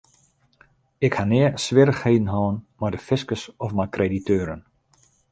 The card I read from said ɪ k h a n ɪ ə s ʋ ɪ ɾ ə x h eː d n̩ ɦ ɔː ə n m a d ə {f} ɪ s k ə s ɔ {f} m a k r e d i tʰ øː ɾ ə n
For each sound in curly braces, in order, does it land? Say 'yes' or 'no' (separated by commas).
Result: yes, yes